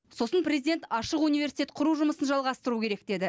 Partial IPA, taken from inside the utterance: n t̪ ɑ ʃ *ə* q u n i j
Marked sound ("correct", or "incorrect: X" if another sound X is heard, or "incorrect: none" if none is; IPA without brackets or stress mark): correct